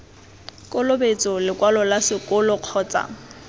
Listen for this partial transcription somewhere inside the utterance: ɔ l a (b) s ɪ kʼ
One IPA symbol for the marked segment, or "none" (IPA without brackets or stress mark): none